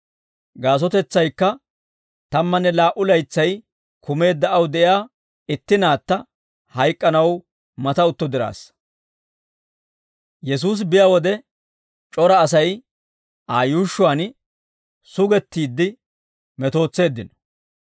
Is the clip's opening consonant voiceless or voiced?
voiced